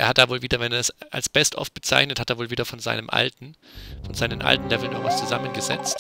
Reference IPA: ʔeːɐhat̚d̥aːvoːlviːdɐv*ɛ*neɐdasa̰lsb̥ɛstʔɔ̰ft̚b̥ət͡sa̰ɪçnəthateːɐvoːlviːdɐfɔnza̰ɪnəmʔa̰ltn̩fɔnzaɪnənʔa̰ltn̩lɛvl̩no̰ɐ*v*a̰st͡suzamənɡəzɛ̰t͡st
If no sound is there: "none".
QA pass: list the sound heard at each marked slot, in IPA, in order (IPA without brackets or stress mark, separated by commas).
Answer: ɛ, v